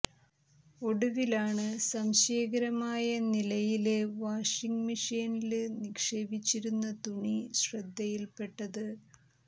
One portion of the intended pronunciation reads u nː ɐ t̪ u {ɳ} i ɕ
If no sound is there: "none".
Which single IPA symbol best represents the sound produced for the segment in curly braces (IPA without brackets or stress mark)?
ɳ